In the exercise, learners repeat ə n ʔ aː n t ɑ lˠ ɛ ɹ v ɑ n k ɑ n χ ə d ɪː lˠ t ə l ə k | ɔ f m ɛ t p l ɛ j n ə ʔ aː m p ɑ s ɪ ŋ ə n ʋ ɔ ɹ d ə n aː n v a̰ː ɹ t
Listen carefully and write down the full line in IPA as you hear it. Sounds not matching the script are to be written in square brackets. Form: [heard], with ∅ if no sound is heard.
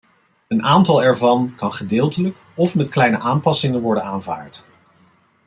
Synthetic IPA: ə n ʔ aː n t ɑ lˠ ɛ ɹ v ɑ n k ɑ n χ ə d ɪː lˠ t ə l ə k | ɔ f m ɛ t [k] l ɛ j n ə ʔ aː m p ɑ s ɪ ŋ ə n ʋ ɔ ɹ d ə n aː n v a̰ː ɹ t